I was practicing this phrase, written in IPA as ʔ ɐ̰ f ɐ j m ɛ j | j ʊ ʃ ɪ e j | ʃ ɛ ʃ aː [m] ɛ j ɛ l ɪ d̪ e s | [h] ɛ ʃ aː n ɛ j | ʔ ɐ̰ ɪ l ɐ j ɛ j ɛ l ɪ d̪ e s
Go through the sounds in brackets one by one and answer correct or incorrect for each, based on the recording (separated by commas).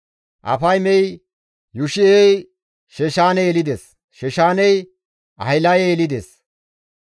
incorrect, incorrect